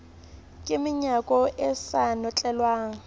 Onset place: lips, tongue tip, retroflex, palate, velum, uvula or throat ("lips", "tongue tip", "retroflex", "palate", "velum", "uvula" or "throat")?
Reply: velum